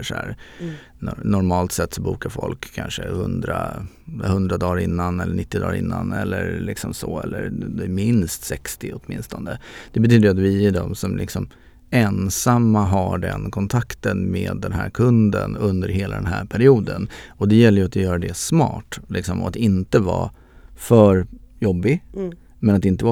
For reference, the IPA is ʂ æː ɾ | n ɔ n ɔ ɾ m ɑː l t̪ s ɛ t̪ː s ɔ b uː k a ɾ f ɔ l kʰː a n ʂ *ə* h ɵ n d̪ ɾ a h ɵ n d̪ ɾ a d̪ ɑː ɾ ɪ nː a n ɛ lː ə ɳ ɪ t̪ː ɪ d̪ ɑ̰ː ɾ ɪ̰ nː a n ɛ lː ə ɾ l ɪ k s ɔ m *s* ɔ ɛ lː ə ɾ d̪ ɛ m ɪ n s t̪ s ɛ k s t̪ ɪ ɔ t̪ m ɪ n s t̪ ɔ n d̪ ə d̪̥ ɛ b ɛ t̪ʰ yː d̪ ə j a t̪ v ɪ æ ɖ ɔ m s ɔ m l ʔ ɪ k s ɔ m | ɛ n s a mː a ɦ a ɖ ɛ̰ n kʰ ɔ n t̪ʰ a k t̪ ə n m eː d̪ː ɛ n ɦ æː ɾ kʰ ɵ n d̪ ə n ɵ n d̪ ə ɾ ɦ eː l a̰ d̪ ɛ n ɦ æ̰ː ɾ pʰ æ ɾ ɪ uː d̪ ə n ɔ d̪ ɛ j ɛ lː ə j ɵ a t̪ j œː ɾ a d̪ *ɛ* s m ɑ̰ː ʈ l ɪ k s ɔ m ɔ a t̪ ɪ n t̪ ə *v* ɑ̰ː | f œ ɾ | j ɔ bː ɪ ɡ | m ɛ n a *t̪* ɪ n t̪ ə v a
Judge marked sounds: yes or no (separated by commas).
yes, yes, yes, yes, yes